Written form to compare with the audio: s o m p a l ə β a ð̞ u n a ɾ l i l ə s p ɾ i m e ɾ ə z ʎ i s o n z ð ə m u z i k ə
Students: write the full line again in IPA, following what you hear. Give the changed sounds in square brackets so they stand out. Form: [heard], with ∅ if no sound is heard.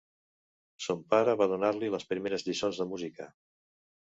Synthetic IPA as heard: s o m p a [ɾ] ə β a ð̞ u n a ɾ l i l ə s p ɾ i m e ɾ ə z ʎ i s o n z ð ə m u z i k ə